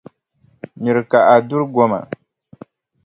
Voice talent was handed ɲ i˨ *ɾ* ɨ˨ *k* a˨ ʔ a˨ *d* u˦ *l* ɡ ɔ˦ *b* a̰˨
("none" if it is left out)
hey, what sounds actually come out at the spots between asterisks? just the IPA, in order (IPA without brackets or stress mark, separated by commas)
ɾ, k, d, ɾ, m